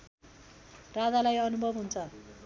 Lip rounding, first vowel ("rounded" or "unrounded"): unrounded